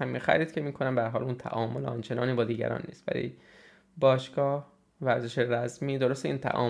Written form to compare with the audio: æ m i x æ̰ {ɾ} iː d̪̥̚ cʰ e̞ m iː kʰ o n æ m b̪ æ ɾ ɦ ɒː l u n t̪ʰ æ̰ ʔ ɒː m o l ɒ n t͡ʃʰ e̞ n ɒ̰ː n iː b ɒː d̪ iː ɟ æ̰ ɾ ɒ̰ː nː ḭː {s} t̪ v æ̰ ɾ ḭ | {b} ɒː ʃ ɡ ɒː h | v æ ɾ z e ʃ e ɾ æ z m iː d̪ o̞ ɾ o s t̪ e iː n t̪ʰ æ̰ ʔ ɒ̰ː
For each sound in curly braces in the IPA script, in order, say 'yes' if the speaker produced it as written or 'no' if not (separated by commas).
yes, yes, yes